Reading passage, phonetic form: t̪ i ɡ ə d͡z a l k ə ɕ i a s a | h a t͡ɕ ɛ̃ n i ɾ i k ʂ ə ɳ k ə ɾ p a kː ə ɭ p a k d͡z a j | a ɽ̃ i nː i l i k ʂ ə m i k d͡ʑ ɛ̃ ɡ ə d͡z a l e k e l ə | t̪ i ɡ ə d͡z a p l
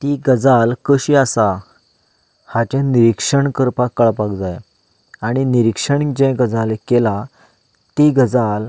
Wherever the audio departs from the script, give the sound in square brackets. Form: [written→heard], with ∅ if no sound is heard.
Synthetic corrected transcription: t̪ i ɡ ə d͡z a l k ə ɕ i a s a | h a t͡ɕ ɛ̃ n i ɾ i k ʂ ə ɳ k ə ɾ p a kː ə ɭ p a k d͡z a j | a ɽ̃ i [nː→n] i [l→ɾ] i k ʂ ə [m→ɳ] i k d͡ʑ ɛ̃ ɡ ə d͡z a l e k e l [ə→a] | t̪ i ɡ ə d͡z a [p→∅] l